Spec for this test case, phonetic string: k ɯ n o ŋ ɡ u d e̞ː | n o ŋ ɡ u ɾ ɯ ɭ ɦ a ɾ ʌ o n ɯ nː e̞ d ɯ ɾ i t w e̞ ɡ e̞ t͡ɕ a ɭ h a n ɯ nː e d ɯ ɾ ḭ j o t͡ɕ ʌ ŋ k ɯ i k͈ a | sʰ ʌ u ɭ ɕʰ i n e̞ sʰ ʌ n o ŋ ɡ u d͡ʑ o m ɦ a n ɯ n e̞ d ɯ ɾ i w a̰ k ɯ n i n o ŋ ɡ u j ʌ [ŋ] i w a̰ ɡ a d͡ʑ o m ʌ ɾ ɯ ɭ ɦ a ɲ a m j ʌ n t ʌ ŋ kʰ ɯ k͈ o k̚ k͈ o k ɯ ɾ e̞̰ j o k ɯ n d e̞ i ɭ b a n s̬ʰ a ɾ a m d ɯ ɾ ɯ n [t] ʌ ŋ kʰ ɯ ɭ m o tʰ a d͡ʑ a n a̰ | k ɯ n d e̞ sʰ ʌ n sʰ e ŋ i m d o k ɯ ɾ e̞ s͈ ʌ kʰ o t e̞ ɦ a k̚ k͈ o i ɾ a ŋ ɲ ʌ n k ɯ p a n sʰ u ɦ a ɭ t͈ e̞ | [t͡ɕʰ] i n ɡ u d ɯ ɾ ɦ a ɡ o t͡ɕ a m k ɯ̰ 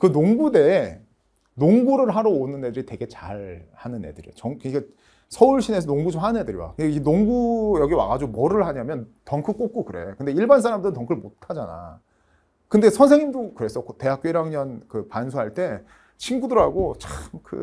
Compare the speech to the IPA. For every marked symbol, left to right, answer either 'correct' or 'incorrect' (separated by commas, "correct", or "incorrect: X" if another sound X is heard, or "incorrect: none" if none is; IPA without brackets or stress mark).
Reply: incorrect: ɡ, correct, correct